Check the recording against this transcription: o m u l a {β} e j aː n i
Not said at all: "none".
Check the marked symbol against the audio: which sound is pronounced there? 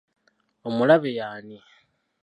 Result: β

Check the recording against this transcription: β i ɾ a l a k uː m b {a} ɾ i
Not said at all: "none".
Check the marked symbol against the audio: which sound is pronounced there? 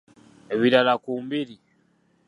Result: i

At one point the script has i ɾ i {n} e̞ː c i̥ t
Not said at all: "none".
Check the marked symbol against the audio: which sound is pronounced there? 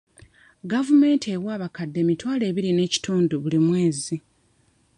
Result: n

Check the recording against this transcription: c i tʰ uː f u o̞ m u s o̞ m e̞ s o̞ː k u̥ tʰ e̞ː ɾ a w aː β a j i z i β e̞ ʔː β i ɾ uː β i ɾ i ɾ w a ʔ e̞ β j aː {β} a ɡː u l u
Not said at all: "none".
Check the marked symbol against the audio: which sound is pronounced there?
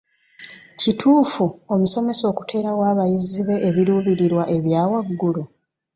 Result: w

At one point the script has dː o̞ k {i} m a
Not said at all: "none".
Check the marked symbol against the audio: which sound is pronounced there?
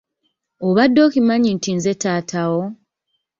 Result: i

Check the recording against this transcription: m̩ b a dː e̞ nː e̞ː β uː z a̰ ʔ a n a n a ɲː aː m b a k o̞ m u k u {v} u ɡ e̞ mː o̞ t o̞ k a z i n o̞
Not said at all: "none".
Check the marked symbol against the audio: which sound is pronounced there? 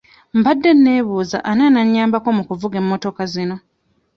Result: v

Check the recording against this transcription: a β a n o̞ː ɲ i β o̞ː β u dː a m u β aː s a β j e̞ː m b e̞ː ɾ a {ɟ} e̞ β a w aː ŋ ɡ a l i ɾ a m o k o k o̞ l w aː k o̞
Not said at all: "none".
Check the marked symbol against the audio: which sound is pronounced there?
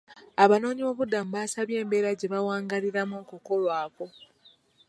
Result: ɟ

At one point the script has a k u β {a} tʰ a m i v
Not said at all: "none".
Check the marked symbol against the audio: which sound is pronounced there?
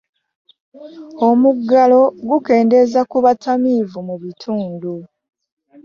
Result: a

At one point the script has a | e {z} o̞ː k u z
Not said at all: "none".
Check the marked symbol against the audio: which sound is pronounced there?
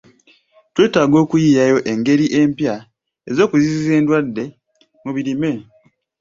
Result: z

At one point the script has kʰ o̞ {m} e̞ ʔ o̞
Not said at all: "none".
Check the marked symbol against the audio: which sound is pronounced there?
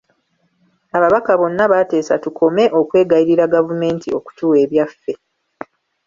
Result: m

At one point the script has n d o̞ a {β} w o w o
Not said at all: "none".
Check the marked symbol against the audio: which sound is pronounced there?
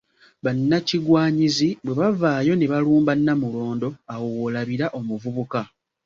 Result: none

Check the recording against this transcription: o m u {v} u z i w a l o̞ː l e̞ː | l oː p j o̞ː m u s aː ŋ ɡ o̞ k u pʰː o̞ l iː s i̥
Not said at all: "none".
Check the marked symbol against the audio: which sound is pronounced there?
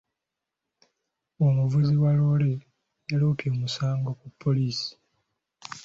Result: v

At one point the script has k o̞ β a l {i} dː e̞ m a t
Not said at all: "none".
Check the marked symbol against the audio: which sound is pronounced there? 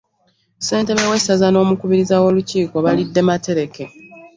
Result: i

